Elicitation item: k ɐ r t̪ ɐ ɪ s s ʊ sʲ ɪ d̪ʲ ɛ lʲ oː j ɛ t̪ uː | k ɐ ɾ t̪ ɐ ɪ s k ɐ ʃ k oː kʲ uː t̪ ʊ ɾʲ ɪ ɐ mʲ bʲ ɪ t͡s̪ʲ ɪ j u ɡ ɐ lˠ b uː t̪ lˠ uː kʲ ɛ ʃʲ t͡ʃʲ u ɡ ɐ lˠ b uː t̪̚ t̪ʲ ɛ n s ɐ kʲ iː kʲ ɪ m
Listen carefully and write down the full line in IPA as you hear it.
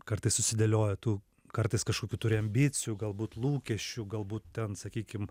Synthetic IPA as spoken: k ɐ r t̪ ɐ ɪ s s ʊ sʲ ɪ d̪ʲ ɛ lʲ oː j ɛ t̪ uː | k ɐ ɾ t̪ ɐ ɪ s k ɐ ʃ k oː kʲ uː t̪ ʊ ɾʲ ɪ ɐ mʲ bʲ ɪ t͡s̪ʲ ɪ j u ɡ ɐ lˠ b uː t̪ lˠ uː kʲ ɛ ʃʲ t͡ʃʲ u ɡ ɐ lˠ b uː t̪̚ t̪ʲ ɛ n s ɐ kʲ iː kʲ ɪ m